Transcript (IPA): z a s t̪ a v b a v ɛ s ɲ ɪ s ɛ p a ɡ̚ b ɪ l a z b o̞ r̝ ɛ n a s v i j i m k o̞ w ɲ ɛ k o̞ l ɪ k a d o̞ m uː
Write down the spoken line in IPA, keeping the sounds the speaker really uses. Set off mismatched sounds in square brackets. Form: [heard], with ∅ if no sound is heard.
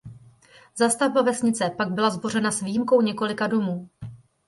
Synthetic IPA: z a s t̪ a v b a v ɛ s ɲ ɪ [t͡s] ɛ p a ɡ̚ b ɪ l a z b o̞ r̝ ɛ n a s v i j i m k o̞ w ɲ ɛ k o̞ l ɪ k a d o̞ m uː